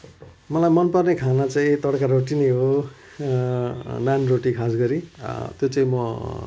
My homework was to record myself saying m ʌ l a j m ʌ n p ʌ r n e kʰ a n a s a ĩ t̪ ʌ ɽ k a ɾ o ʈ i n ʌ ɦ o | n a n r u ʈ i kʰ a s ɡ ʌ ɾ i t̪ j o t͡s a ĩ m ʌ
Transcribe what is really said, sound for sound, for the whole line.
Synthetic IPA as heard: m ʌ l a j m ʌ n p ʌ r n e kʰ a n a t͡s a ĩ t̪ ʌ ɽ k a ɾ o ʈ i n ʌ ɦ o | n a n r o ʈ i kʰ a s ɡ ʌ ɾ i t̪ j o t͡s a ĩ m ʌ

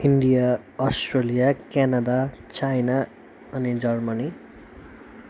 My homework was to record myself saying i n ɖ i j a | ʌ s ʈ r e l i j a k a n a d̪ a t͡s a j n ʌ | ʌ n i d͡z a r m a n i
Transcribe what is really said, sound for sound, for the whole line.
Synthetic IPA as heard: i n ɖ i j a | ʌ s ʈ r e l i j a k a n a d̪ a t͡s a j n a | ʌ n i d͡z ʌ r m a n i

